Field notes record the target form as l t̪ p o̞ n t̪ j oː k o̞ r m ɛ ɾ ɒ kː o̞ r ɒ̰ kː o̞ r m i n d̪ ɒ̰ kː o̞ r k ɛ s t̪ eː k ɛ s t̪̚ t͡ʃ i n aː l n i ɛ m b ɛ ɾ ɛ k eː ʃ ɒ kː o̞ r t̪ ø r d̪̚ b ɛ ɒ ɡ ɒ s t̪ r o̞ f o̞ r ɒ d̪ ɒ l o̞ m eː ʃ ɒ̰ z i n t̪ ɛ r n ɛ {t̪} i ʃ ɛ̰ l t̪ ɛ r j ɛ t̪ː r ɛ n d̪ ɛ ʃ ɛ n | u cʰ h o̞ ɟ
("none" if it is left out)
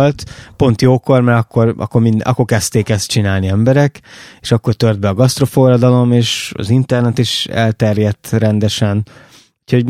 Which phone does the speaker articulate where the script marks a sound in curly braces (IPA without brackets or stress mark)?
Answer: t̪